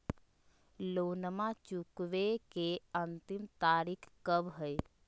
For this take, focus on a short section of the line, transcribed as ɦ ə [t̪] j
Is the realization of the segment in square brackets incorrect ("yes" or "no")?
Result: yes